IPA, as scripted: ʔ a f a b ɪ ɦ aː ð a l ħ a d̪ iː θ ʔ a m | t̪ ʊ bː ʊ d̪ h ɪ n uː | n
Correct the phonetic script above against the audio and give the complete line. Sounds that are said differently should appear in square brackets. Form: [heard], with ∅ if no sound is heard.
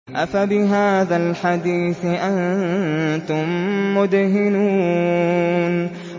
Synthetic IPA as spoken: ʔ a f a b ɪ ɦ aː ð a l ħ a d̪ iː θ ʔ a [n] | t̪ ʊ [mː] ʊ d̪ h ɪ n uː | n